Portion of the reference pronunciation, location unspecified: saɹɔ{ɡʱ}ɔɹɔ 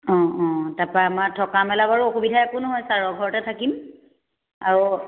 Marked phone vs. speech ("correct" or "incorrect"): correct